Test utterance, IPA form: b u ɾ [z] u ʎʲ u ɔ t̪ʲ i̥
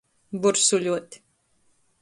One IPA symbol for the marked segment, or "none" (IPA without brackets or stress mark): s